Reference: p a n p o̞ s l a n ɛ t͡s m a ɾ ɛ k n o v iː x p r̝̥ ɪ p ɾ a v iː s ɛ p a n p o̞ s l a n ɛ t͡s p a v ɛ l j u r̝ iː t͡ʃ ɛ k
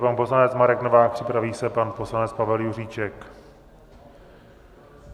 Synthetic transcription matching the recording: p a n p o̞ s l a n ɛ t͡s m a ɾ ɛ k n o v aː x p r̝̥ ɪ p ɾ a v iː s ɛ p a n p o̞ s l a n ɛ t͡s p a v ɛ l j u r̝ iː t͡ʃ ɛ k